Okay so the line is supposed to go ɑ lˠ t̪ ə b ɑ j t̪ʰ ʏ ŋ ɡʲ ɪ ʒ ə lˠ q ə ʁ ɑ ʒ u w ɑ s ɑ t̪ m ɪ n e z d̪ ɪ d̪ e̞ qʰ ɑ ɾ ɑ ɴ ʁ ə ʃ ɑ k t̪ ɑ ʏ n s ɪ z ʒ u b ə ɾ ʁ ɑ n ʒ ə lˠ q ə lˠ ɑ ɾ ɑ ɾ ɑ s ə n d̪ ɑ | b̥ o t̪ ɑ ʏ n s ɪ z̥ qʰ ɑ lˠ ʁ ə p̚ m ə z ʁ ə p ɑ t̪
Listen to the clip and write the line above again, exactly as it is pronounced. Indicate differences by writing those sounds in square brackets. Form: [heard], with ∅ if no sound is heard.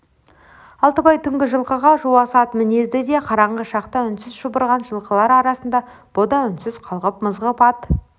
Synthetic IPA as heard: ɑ lˠ t̪ ə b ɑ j t̪ʰ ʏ ŋ ɡʲ ɪ ʒ ə lˠ q ə ʁ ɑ ʒ u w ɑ s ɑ t̪ m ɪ n e z d̪ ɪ d̪ e̞ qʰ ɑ ɾ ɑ ɴ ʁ ə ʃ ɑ [q] t̪ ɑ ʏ n s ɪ z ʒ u b ə ɾ ʁ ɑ n ʒ ə lˠ q ə lˠ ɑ ɾ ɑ ɾ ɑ s ə n d̪ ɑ | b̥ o [d̪] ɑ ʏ n s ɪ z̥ qʰ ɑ lˠ ʁ ə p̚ m ə z ʁ ə p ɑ t̪